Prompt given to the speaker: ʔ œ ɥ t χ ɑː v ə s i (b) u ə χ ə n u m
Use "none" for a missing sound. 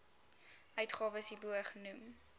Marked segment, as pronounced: b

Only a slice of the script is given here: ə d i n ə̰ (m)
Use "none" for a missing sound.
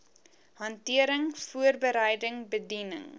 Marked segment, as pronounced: ŋ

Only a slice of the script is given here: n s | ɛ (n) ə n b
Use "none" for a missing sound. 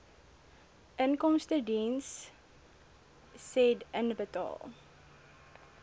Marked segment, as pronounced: d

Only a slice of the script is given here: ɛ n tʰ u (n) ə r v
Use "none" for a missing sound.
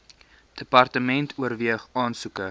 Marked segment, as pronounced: none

